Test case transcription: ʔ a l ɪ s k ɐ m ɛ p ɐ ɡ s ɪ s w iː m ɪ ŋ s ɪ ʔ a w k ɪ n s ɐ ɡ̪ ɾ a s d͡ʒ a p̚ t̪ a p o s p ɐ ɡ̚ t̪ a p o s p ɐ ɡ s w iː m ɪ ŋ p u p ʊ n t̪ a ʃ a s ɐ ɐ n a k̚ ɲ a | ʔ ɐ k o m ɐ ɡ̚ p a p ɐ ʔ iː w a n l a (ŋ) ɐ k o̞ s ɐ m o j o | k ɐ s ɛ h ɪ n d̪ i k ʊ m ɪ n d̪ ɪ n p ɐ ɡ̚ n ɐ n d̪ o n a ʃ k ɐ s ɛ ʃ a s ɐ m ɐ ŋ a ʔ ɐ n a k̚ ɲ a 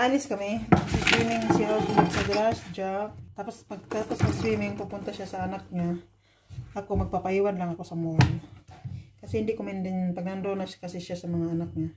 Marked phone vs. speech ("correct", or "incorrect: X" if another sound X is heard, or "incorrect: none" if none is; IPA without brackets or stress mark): correct